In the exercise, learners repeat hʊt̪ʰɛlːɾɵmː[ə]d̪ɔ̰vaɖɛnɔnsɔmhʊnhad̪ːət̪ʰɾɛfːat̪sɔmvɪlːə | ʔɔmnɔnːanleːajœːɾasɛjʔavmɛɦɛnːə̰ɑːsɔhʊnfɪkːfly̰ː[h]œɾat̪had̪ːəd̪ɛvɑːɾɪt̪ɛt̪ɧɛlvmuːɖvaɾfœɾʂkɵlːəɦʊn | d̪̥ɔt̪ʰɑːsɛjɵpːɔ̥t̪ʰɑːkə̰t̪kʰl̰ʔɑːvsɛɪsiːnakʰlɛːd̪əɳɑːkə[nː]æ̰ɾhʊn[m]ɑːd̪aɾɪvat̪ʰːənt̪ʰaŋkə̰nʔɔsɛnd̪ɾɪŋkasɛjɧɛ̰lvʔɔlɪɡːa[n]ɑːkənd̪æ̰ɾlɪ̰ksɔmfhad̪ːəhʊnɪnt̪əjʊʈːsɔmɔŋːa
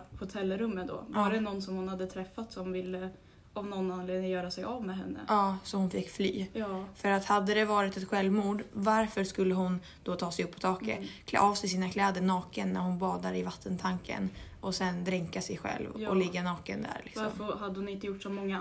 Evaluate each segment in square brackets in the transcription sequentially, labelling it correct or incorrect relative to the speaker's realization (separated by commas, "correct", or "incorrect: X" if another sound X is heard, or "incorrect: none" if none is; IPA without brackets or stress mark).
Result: correct, incorrect: f, correct, incorrect: b, correct